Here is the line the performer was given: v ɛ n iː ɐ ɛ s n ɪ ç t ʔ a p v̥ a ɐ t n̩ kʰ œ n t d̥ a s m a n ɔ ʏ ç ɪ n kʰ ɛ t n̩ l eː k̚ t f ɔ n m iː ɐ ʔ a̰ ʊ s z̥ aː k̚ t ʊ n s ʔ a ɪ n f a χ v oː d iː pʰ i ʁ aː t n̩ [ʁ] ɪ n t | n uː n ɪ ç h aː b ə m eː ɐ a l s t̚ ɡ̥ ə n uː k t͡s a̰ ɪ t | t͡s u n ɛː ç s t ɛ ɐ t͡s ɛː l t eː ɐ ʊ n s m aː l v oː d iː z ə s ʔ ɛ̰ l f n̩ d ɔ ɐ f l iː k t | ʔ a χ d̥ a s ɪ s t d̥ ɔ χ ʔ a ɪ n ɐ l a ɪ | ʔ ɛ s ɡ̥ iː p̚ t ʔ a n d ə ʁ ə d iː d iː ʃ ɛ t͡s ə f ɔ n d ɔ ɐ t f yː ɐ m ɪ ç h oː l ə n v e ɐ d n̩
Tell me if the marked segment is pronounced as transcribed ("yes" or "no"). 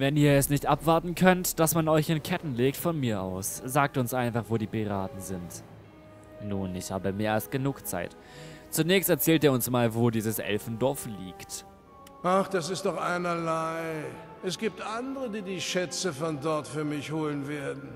no